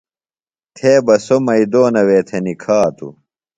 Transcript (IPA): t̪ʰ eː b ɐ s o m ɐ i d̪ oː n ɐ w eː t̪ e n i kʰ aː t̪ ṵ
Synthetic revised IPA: t̪ʰ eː b ɐ s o m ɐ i d̪ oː n ɐ w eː t̪ʰ e n i kʰ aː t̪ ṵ